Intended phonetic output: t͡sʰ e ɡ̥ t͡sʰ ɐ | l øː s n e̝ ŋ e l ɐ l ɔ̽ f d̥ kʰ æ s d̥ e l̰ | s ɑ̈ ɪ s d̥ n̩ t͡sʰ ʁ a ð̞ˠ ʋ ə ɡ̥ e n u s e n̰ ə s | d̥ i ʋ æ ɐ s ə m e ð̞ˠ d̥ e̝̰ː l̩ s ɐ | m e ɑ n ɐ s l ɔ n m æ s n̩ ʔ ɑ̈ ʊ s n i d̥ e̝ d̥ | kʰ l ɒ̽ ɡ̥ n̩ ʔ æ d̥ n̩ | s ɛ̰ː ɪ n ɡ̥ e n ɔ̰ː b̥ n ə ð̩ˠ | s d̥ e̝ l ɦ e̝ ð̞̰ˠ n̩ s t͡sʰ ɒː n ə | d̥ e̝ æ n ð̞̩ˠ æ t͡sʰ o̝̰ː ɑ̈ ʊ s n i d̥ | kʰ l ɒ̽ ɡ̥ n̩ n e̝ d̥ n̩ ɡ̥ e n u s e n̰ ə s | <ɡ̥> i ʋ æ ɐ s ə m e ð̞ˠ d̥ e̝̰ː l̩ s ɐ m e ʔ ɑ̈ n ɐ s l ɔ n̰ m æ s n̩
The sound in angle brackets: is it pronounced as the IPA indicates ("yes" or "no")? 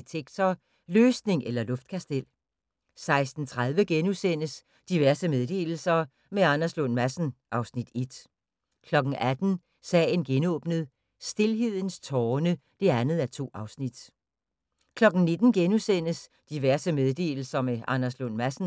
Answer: no